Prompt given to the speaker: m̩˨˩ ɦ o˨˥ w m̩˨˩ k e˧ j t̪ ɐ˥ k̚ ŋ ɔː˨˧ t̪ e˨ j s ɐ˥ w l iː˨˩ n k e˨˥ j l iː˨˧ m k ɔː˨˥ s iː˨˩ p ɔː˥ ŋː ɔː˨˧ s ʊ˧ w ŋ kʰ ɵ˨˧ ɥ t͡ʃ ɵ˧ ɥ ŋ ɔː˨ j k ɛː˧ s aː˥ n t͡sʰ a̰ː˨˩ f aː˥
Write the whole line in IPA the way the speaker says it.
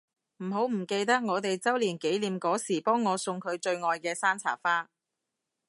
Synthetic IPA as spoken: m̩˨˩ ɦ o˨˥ w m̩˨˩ k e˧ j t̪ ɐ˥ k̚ ŋ ɔː˨˧ t̪ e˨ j t͡s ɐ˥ w l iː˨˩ n k e˨˥ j l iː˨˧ m k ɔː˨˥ s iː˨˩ p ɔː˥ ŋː ɔː˨˧ s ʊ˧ ŋ kʰ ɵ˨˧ ɥ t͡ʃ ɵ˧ ɥ ŋ ɔː˨ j k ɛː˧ s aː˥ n t͡sʰ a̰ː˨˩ f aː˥